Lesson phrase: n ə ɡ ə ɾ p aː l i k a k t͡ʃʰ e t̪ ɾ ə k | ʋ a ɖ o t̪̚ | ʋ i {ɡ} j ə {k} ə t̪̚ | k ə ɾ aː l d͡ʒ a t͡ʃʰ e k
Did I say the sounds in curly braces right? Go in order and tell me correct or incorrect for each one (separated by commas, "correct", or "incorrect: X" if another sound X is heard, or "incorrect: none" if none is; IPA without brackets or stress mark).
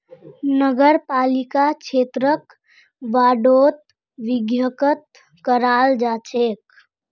correct, correct